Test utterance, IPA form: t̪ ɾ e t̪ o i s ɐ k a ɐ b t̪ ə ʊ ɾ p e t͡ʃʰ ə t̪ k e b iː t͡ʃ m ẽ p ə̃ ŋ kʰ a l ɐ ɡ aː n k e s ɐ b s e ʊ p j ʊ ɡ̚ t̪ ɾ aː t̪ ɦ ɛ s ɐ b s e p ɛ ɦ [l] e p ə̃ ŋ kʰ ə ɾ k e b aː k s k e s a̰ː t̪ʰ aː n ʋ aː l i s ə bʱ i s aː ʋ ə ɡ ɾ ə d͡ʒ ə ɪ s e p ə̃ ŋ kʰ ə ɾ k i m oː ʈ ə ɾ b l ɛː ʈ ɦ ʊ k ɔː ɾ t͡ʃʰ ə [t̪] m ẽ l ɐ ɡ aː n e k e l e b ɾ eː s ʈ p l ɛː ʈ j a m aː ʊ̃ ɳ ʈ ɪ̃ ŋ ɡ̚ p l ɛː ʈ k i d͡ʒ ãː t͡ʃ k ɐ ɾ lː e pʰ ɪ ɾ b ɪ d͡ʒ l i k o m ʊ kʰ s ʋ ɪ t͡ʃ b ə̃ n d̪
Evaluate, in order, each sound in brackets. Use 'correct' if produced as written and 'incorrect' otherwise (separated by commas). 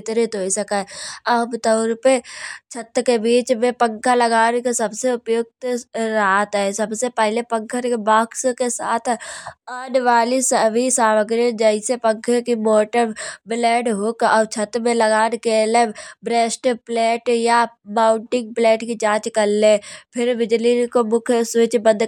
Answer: correct, correct